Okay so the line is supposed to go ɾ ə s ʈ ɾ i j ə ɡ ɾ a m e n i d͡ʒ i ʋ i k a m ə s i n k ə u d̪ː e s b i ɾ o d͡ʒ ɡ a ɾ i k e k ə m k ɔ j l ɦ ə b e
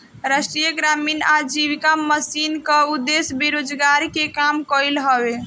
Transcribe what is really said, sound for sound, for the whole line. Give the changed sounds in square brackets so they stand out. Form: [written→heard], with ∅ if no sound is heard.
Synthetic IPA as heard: ɾ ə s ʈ ɾ i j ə ɡ ɾ a m [e→i] n [i→a] d͡ʒ i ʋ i k a m ə s i n k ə u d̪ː e s b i ɾ o d͡ʒ ɡ a ɾ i k e k [ə→a] m k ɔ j l ɦ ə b e